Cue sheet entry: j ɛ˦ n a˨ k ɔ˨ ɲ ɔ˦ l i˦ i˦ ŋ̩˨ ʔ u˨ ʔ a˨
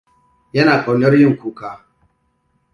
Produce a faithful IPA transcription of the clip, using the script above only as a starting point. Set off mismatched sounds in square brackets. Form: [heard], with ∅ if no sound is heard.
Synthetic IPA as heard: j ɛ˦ n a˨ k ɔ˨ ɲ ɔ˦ [ɾ] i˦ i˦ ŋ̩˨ [k] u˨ [k] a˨